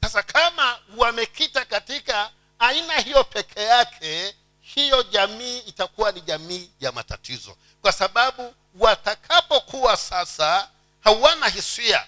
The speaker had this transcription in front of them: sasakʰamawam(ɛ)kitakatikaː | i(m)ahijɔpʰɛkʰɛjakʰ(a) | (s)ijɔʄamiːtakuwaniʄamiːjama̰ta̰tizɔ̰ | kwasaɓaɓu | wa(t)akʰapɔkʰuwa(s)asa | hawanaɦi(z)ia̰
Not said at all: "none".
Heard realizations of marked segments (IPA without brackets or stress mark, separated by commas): ɛ, n, ɛ, h, t, s, s